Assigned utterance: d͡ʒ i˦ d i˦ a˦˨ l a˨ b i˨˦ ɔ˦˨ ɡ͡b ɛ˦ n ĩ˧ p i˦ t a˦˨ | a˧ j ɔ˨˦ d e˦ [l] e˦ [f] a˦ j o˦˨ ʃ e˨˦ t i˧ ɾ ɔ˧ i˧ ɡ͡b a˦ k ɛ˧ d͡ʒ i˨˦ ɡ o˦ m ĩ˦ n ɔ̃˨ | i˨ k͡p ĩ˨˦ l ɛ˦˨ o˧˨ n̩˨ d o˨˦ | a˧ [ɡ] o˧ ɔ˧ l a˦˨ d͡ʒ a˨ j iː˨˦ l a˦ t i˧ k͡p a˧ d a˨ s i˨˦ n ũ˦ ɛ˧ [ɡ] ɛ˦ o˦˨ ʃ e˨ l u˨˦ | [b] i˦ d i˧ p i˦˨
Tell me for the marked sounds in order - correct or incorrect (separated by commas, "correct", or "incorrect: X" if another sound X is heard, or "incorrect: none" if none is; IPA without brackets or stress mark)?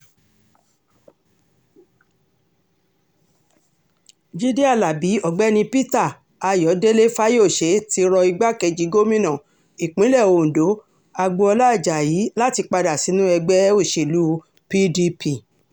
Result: correct, correct, incorrect: ɡ͡b, incorrect: ɡ͡b, incorrect: p